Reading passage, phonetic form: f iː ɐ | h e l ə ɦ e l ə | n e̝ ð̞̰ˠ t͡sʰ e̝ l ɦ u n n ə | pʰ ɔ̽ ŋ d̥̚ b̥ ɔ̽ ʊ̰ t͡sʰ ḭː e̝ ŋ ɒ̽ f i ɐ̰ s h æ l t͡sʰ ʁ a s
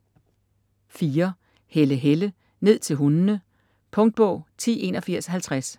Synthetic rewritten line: f iː ɐ | h e l ə ɦ e l ə | n e̝ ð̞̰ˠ t͡sʰ e̝ l ɦ u n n ə | pʰ ɔ̽ ŋ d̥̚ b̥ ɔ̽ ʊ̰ t͡sʰ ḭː e̝ n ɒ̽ f i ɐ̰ s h æ l t͡sʰ ʁ a s